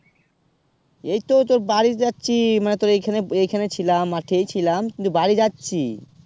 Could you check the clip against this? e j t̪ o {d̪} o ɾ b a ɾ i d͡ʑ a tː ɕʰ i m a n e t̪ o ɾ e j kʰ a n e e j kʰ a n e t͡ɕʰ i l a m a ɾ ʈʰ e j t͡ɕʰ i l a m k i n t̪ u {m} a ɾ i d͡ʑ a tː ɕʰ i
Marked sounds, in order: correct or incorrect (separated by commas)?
incorrect, incorrect